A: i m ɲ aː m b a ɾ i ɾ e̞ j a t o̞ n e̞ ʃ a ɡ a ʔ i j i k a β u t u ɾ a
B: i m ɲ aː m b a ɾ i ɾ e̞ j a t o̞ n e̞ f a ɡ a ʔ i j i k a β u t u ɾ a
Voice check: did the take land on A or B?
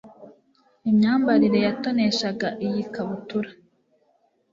A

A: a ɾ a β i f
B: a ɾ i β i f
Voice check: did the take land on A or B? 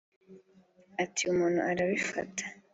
A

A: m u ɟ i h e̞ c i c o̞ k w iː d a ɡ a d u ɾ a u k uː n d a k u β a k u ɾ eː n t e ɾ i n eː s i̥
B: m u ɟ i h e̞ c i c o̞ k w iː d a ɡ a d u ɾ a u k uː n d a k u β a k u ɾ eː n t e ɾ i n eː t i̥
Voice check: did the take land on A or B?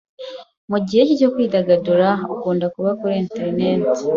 B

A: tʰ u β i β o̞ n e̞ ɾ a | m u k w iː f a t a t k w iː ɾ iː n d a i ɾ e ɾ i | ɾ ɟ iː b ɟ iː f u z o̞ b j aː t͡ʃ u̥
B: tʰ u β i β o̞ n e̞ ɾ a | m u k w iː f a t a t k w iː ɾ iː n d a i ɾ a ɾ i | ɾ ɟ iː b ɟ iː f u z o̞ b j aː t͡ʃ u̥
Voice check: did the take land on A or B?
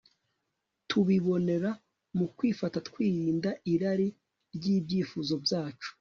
B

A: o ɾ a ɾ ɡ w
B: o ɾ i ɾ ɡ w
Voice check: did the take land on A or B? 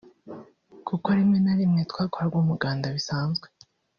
A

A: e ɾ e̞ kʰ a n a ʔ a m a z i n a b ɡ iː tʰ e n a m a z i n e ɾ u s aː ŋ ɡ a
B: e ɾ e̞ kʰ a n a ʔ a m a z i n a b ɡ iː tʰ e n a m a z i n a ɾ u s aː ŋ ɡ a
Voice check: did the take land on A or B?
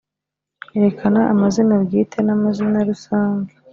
B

